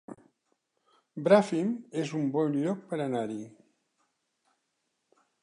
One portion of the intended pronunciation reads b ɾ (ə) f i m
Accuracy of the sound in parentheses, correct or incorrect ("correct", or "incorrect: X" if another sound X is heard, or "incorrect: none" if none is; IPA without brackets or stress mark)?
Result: incorrect: a